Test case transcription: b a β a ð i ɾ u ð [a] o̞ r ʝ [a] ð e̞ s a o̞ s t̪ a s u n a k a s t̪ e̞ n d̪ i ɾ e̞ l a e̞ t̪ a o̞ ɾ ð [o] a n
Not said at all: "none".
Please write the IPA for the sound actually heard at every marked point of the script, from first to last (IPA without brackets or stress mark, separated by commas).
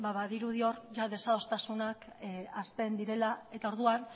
i, a, u